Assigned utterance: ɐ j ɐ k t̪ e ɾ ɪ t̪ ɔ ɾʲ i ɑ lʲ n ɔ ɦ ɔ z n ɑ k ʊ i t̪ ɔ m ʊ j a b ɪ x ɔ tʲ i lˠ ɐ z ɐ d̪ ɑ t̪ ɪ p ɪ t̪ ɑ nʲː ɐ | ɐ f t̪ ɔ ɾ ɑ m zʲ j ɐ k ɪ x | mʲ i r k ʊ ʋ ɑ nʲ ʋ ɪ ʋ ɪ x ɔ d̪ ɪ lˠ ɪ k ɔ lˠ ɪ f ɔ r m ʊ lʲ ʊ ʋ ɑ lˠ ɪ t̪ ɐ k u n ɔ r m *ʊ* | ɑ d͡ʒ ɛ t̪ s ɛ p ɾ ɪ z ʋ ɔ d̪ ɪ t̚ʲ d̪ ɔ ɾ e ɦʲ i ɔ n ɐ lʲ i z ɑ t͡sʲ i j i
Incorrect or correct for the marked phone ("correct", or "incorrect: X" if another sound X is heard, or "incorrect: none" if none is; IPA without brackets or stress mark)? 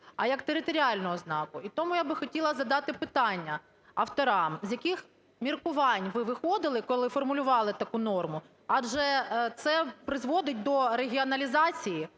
correct